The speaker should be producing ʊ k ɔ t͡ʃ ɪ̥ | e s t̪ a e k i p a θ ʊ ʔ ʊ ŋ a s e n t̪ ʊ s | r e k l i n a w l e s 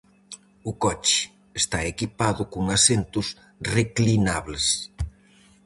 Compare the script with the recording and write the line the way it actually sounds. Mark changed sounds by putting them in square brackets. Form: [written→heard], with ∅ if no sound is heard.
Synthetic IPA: ʊ k ɔ t͡ʃ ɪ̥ | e s t̪ a e k i p a [θ→ð] ʊ [ʔ→k] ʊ ŋ a s e n t̪ ʊ s | r e k l i n a [w→β] l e s